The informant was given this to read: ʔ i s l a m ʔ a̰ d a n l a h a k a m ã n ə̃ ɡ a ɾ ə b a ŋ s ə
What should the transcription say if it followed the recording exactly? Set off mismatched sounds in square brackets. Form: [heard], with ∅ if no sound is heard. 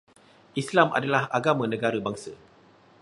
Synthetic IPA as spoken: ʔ i s l a m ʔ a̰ d a [∅] l a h a [ɡ] a m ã n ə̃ ɡ a ɾ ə b a ŋ s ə